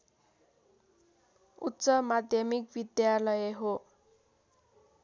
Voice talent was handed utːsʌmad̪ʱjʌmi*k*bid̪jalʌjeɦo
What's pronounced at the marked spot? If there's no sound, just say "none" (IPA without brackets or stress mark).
k